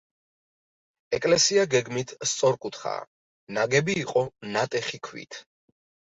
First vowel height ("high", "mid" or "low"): mid